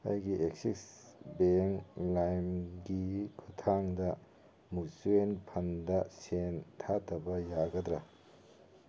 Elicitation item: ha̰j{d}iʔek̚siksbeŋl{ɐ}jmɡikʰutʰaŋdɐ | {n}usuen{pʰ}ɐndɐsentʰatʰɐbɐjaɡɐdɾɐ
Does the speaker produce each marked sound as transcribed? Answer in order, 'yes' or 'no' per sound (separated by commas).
no, no, no, yes